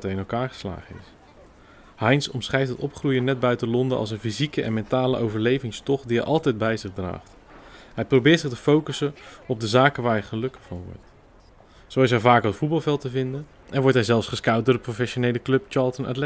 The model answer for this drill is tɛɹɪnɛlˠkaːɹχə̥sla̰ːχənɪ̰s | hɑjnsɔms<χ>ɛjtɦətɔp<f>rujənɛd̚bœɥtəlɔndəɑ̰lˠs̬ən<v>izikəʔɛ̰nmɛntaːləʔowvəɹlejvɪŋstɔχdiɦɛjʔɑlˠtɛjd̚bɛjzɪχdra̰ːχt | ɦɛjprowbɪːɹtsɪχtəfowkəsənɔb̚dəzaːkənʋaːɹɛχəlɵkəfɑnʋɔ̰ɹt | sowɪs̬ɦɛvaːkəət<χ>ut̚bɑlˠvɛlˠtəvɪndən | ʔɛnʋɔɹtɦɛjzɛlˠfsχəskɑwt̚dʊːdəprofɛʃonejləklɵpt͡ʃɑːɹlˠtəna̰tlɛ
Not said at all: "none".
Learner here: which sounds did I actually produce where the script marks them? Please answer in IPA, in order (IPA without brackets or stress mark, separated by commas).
χ, χ, f, f